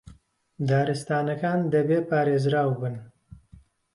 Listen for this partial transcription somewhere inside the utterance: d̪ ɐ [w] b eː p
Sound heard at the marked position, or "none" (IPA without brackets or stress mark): none